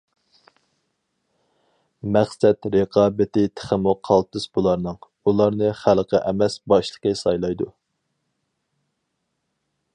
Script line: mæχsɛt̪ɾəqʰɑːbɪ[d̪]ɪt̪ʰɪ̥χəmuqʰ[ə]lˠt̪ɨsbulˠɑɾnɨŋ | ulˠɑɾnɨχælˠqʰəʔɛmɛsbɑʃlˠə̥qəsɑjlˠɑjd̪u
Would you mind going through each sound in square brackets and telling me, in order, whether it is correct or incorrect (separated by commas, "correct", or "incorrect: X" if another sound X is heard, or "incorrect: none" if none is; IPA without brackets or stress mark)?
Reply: incorrect: t̪, incorrect: ɑ